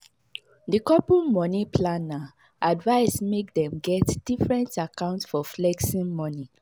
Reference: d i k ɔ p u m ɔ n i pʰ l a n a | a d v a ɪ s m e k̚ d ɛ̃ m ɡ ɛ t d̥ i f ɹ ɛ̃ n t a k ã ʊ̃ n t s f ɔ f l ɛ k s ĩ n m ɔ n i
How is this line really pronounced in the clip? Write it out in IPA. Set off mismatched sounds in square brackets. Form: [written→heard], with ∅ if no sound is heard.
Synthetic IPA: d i k ɔ p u m ɔ n i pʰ l a n a | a d v a ɪ s m e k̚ d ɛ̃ m ɡ ɛ t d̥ i f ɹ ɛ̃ n t a k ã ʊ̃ n t s f ɔ f l ɛ k s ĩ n m ɔ n i